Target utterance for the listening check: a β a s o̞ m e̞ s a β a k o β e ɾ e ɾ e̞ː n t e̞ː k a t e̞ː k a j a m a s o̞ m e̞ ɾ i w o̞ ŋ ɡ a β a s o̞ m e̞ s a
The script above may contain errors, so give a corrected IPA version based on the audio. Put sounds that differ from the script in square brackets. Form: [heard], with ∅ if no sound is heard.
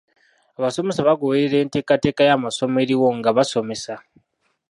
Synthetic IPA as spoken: a β a s o̞ m e̞ s a β a [ɡ] o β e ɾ e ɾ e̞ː n t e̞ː k a t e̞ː k a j a m a s o̞ m e̞ ɾ i w o̞ ŋ ɡ a β a s o̞ m e̞ s a